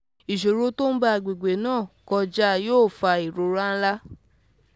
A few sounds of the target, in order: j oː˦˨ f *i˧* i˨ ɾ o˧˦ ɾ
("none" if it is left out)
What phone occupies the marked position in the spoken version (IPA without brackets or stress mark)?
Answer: a˧